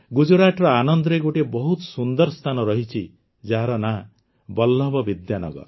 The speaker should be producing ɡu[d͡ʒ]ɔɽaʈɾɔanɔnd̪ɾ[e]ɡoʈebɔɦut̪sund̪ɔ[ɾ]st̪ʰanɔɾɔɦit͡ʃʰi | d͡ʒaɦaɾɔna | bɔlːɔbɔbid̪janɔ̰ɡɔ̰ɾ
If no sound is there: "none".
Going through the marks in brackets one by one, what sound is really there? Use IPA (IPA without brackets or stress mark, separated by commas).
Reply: d͡ʒ, e, ɾ